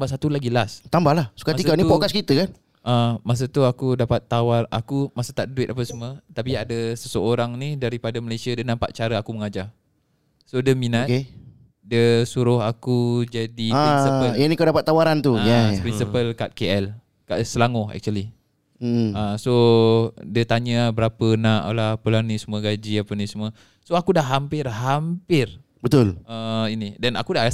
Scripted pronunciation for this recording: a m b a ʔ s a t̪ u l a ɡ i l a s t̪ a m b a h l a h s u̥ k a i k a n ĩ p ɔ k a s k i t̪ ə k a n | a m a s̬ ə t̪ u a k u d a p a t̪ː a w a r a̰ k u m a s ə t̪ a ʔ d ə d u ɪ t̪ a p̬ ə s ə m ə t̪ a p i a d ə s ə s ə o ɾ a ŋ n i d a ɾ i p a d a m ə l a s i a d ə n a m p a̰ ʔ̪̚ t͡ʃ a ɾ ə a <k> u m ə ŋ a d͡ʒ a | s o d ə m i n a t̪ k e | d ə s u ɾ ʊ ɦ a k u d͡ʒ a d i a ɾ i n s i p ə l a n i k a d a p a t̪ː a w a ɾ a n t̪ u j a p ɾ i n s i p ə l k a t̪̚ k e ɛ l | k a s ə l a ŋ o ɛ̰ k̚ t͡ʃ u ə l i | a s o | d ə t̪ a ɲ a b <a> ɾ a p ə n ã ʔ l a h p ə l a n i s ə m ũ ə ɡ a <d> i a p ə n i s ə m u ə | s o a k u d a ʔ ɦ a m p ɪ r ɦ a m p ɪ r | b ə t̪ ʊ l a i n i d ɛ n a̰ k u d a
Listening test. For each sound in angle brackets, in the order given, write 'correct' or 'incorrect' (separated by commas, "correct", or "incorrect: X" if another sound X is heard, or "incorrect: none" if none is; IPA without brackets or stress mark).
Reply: correct, incorrect: ə, incorrect: d͡ʒ